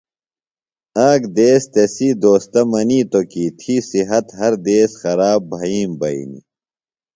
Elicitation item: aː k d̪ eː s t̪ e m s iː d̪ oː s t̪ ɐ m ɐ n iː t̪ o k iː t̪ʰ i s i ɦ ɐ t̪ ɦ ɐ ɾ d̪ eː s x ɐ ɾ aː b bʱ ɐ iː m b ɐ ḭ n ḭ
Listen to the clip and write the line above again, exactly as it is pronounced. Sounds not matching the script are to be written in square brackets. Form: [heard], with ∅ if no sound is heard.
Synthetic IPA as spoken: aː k d̪ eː s t̪ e [∅] s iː d̪ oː s t̪ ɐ m ɐ n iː t̪ o k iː t̪ʰ i s i ɦ ɐ t̪ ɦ ɐ ɾ d̪ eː s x ɐ ɾ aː b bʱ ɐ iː m b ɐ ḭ n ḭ